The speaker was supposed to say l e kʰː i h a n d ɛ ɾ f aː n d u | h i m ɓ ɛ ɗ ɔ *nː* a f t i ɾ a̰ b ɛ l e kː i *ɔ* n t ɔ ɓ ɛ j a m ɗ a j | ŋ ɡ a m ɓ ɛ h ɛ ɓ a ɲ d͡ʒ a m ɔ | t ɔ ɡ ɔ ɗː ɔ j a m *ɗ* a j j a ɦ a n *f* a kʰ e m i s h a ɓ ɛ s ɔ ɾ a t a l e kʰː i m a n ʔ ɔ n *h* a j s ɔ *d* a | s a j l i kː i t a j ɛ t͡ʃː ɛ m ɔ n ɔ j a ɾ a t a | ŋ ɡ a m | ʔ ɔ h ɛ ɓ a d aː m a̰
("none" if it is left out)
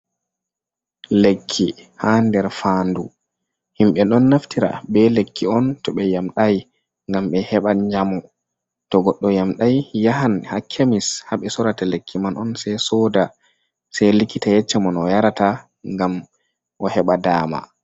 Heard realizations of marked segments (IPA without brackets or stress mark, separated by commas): nː, ɔ, ɗ, h, s, d